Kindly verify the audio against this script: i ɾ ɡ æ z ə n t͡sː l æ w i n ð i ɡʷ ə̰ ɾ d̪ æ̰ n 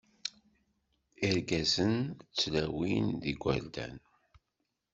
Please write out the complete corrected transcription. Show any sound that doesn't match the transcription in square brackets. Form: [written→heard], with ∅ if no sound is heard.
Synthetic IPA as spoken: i ɾ ɡ æ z ə n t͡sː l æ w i n ð i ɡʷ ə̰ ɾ d̪ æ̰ n